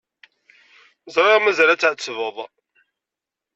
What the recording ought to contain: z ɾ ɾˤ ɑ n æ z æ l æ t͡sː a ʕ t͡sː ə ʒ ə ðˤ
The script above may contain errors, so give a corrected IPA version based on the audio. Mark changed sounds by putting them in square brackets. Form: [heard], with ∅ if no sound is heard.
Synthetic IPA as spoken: z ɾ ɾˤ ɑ [m] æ z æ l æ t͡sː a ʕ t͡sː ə [v] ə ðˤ